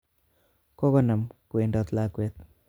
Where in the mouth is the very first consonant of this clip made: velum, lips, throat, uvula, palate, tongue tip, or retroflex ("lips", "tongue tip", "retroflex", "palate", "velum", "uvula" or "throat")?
velum